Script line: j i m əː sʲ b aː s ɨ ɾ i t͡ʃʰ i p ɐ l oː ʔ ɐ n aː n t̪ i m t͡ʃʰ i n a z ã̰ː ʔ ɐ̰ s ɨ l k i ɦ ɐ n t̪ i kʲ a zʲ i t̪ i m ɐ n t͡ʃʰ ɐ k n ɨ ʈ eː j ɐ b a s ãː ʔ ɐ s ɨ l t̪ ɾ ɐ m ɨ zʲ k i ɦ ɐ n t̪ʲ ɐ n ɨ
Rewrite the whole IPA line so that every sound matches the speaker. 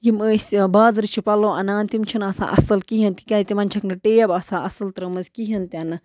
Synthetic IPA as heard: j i m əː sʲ b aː z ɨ ɾ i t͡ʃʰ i p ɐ l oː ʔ ɐ n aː n t̪ i m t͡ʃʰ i n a s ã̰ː ʔ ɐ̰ s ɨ l k i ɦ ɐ n t̪ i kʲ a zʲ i t̪ i m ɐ n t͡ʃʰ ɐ k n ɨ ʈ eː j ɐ b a s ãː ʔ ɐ s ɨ l t̪ ɾ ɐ m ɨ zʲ k i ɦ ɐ n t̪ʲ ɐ n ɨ